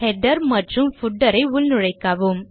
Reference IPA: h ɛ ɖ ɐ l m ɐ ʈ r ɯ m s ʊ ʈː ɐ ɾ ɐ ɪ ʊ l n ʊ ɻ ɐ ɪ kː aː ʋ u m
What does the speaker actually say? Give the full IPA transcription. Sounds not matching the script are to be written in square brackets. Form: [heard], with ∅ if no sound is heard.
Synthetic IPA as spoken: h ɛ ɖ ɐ [ɾ] m ɐ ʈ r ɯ m [f] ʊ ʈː ɐ ɾ ɐ ɪ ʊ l n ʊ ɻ ɐ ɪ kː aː ʋ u m

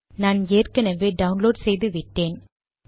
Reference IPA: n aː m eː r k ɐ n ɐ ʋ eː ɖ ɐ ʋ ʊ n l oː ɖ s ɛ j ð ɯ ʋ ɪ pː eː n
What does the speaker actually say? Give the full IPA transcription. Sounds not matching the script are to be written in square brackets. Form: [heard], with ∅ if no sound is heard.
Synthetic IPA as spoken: n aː [n] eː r k ɐ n ɐ ʋ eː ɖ ɐ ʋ ʊ n l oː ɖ s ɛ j ð ɯ ʋ ɪ [ʈː] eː n

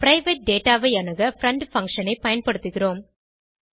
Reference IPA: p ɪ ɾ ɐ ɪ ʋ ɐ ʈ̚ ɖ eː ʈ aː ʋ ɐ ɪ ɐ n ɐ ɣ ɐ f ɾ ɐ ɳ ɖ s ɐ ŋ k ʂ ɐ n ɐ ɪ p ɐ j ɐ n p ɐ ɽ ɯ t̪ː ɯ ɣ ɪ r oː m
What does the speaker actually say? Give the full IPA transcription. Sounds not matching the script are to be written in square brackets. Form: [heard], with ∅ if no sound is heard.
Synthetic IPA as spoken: p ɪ ɾ ɐ ɪ ʋ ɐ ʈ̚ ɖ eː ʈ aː ʋ ɐ ɪ ɐ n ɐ ɣ ɐ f ɾ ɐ ɳ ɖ [f] ɐ ŋ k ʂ ɐ n ɐ ɪ p ɐ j ɐ n p ɐ ɽ ɯ t̪ː ɯ ɣ ɪ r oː m

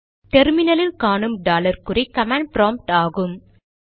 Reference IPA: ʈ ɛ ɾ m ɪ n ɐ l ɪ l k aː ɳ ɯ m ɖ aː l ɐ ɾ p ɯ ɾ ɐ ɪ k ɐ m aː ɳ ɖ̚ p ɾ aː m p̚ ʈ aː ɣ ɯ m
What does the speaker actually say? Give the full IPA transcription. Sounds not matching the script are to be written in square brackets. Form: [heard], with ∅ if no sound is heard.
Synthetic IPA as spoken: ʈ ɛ ɾ m ɪ n ɐ l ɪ l k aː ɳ ɯ m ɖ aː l ɐ ɾ [k] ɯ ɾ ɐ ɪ k ɐ m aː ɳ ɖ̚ p ɾ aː m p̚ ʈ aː ɣ ɯ m

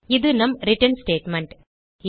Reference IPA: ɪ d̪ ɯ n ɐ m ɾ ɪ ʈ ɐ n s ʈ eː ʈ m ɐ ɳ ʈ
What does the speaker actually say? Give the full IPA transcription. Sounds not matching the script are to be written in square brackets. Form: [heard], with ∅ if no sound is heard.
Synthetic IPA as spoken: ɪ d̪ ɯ n ɐ m ɾ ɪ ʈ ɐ n s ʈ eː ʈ m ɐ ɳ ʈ

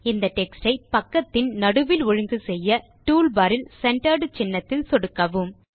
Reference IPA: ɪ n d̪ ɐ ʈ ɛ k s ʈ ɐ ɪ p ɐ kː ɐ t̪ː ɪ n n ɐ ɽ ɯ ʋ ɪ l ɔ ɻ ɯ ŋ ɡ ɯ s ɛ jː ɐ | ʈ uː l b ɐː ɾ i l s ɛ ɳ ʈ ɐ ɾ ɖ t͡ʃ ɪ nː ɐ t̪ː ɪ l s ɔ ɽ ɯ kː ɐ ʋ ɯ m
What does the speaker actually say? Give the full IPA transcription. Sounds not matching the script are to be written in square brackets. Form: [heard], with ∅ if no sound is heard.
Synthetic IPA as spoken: ɪ n d̪ ɐ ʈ ɛ k s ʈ ɐ ɪ p ɐ kː ɐ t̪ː ɪ n n ɐ ɽ ɯ ʋ ɪ l ɔ ɻ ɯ ŋ ɡ ɯ s ɛ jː ɐ | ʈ uː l b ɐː ɾ [ɪ] l s ɛ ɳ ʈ ɐ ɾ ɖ t͡ʃ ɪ nː ɐ t̪ː ɪ l s ɔ ɽ ɯ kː ɐ ʋ ɯ m

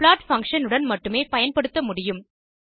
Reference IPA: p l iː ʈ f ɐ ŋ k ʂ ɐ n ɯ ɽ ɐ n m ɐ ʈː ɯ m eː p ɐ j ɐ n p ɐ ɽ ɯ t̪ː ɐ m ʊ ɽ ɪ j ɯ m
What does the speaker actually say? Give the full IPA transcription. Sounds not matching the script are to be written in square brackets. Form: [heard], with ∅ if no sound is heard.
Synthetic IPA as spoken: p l [aː] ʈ f ɐ ŋ k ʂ ɐ n ɯ ɽ ɐ n m ɐ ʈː ɯ m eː p ɐ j ɐ n p ɐ ɽ ɯ t̪ː ɐ m ʊ ɽ ɪ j ɯ m

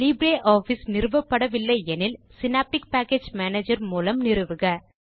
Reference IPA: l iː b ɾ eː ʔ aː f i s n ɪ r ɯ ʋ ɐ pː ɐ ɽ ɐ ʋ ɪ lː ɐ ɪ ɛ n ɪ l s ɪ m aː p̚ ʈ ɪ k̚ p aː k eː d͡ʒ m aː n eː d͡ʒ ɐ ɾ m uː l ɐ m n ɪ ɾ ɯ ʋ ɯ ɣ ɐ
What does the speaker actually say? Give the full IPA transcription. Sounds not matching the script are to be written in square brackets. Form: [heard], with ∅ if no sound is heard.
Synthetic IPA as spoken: l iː b ɾ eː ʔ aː f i s n ɪ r ɯ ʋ ɐ pː ɐ ɽ ɐ ʋ ɪ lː ɐ ɪ ɛ n ɪ l s ɪ [n] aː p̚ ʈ ɪ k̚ p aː k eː d͡ʒ m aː n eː d͡ʒ ɐ ɾ m uː l ɐ m n ɪ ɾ ɯ ʋ ɯ ɣ ɐ

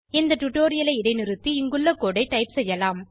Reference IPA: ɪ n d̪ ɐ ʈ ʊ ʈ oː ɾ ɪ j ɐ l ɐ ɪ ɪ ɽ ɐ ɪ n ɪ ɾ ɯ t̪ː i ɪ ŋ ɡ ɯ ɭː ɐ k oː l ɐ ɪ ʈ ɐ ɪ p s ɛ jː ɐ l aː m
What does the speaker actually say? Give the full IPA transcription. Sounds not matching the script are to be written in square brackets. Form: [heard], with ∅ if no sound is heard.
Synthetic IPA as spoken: ɪ n d̪ ɐ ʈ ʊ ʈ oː ɾ ɪ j ɐ l ɐ ɪ ɪ ɽ ɐ ɪ n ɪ ɾ ɯ t̪ː i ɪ ŋ ɡ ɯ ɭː ɐ k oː [ɽ] ɐ ɪ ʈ ɐ ɪ p s ɛ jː ɐ l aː m

